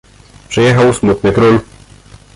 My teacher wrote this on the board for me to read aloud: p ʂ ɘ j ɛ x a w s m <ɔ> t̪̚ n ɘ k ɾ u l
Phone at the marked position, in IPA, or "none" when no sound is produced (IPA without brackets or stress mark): u